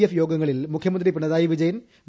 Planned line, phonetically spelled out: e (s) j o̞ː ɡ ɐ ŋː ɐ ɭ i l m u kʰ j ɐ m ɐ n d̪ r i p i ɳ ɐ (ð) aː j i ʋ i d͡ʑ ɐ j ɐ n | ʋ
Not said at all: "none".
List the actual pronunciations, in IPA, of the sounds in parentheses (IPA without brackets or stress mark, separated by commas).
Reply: f, ð